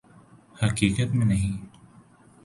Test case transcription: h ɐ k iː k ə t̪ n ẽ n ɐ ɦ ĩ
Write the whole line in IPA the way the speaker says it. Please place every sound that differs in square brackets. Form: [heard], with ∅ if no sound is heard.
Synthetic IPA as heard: h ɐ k iː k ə t̪ [m] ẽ n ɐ ɦ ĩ